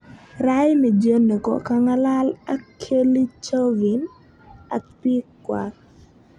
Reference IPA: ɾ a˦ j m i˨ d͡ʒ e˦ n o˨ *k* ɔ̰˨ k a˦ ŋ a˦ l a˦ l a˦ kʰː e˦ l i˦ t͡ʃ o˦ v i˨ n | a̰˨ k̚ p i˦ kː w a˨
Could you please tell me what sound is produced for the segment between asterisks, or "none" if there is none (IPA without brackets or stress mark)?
k